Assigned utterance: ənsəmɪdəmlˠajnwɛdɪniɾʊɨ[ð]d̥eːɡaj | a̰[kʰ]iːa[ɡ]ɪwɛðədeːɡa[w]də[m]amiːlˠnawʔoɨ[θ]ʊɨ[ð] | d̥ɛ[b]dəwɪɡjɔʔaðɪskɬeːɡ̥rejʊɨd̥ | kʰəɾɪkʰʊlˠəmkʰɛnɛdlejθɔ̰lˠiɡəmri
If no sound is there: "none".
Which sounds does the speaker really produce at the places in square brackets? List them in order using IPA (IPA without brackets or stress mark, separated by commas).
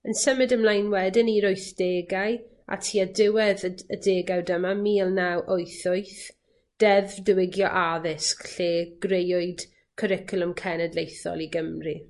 θ, tʰ, d, w, m, θ, θ, v